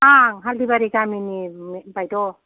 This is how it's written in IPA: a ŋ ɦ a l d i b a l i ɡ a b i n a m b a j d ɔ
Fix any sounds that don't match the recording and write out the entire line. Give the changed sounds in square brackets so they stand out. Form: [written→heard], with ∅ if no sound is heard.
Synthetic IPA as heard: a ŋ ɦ a l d i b a [l→ɾ] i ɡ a [b→m] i n [a→i] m b a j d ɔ